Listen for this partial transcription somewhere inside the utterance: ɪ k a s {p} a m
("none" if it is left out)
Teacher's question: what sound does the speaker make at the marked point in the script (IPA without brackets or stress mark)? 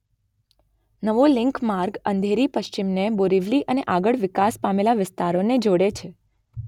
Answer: p